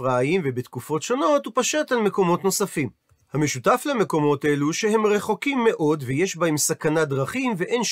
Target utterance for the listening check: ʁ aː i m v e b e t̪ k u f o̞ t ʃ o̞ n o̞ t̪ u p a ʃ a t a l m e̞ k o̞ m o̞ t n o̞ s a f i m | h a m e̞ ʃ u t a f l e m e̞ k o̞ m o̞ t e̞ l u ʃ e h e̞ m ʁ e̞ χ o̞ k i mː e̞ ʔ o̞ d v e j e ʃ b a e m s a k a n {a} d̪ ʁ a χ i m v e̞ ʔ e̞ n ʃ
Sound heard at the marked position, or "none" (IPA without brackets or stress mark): a